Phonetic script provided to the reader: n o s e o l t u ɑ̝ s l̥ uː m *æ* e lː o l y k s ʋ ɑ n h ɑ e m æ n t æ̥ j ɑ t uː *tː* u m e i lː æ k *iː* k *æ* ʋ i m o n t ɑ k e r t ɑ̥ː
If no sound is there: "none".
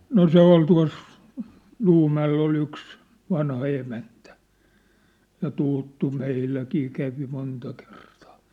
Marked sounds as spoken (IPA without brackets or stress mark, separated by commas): æ, tː, iː, æ